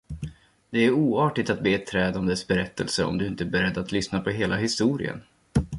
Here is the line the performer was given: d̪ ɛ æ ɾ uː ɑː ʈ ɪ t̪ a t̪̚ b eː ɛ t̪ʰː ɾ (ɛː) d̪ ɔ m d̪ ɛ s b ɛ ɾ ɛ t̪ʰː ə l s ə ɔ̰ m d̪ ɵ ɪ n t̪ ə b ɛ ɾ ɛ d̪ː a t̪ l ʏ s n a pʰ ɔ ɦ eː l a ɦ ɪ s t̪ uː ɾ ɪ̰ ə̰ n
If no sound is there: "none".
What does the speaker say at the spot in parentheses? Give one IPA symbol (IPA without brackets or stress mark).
ɛː